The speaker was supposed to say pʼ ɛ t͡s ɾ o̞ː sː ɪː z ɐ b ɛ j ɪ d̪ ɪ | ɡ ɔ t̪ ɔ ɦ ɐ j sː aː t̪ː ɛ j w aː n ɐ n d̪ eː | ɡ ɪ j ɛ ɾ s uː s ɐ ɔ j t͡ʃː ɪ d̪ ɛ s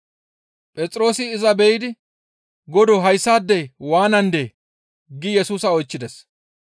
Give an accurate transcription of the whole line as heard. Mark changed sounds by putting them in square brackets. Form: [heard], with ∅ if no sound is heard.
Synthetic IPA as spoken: pʼ ɛ [t͡sʼ] ɾ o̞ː [s] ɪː z ɐ b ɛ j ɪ d̪ ɪ | ɡ ɔ [d̪] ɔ ɦ ɐ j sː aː [d̪ː] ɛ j w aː n ɐ n d̪ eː | ɡ ɪ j ɛ [∅] s uː s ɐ ɔ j t͡ʃː ɪ d̪ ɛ s

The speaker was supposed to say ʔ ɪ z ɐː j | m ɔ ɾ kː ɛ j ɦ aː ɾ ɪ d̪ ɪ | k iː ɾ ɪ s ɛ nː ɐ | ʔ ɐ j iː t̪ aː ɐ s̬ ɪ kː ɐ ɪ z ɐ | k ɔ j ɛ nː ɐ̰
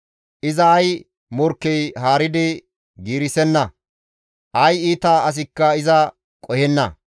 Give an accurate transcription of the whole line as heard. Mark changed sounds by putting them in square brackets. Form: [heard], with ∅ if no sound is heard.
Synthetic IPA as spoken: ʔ ɪ z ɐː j | m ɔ ɾ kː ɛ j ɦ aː ɾ ɪ d̪ ɪ | [ɡ] iː ɾ ɪ s ɛ nː ɐ | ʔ ɐ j iː t̪ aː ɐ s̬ ɪ kː ɐ ɪ z ɐ | [kʼ] ɔ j ɛ nː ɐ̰

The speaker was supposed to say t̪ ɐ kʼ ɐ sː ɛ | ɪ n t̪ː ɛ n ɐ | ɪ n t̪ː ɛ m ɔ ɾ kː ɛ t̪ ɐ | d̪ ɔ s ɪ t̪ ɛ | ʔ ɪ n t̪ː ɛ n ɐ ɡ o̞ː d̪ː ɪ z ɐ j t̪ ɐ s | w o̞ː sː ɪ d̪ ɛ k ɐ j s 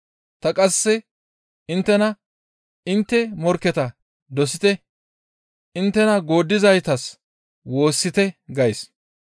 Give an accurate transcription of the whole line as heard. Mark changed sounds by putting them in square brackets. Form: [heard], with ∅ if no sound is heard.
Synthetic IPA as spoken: t̪ ɐ kʼ ɐ sː ɛ | ɪ n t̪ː ɛ n ɐ | ɪ n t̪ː ɛ m ɔ ɾ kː ɛ t̪ ɐ | d̪ ɔ s ɪ t̪ ɛ | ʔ ɪ n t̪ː ɛ n ɐ ɡ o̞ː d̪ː ɪ z ɐ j t̪ ɐ s | w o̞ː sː ɪ [t̪] ɛ [ɡ] ɐ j s

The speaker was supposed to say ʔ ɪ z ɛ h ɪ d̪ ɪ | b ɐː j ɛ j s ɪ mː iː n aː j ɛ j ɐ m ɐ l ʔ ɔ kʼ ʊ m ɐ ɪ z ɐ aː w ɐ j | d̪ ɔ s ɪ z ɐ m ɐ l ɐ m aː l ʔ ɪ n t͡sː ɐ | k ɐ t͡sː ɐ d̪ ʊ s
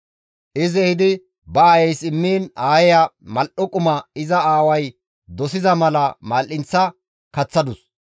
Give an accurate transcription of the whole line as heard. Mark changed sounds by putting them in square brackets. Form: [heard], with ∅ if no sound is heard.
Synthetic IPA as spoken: ʔ ɪ z ɛ h ɪ d̪ ɪ | b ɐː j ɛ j s ɪ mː iː n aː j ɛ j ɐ m ɐ l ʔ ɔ kʼ ʊ m ɐ ɪ z ɐ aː w ɐ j | d̪ ɔ s ɪ z ɐ m ɐ l ɐ m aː l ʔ ɪ n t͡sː ɐ | k ɐ t͡sː ɐ d̪ ʊ s

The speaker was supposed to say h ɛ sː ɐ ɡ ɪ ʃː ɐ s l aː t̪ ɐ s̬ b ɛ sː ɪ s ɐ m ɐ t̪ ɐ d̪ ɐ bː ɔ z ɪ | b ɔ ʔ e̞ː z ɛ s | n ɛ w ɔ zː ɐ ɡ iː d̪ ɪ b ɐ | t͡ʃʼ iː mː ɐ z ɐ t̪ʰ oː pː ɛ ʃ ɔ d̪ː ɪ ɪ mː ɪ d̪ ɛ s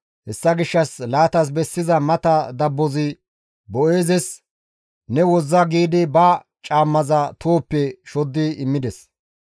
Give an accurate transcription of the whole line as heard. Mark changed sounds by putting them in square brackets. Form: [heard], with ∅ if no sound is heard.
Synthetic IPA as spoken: h ɛ sː ɐ ɡ ɪ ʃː ɐ s l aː t̪ ɐ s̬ b ɛ sː ɪ [z] ɐ m ɐ t̪ ɐ d̪ ɐ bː ɔ z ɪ | b ɔ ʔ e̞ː z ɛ s | n ɛ w ɔ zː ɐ ɡ iː d̪ ɪ b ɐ | t͡ʃʼ [aː] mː ɐ z ɐ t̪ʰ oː pː ɛ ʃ ɔ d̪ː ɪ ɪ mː ɪ d̪ ɛ s

